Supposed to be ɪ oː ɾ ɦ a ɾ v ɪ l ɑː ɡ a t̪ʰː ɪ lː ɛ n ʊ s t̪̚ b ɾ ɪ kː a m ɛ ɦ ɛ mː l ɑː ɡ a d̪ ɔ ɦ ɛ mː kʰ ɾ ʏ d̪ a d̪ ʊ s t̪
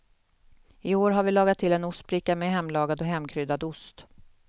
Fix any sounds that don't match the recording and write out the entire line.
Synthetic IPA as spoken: ɪ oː ɾ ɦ a ɾ v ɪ l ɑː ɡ a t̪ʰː ɪ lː ɛ n ʊ s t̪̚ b ɾ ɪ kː a m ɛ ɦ ɛ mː l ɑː ɡ a d̪ ɔ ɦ ɛ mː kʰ ɾ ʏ d̪ a d̪ ʊ s t̪